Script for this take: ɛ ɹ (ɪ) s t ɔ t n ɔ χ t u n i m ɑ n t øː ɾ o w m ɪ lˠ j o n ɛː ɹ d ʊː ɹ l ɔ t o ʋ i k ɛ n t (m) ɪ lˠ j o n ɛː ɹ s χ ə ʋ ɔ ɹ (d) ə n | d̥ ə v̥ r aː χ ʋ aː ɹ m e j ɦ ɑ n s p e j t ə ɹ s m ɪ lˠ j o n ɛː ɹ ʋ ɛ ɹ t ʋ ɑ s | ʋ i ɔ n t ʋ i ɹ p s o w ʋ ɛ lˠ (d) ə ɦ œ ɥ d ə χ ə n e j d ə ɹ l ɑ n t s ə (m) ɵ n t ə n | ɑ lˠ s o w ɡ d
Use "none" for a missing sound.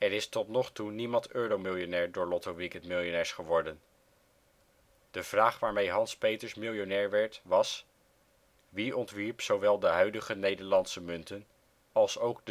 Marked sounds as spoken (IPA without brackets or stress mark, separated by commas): ɪ, m, d, d, m